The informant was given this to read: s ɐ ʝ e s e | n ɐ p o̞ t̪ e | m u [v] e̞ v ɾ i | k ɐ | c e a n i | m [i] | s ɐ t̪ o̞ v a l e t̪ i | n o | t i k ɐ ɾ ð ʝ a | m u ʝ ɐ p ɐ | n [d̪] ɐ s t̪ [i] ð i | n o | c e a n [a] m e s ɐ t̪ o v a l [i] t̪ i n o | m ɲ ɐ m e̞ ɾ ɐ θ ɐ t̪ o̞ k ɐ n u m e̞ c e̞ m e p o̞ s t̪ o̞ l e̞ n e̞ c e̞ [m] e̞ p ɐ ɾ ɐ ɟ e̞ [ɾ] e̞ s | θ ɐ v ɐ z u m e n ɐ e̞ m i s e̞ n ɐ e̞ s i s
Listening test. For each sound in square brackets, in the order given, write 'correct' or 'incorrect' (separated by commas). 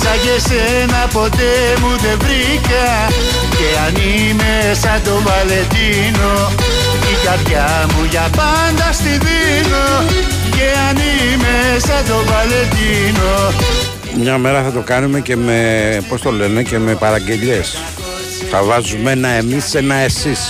incorrect, incorrect, correct, correct, incorrect, incorrect, correct, incorrect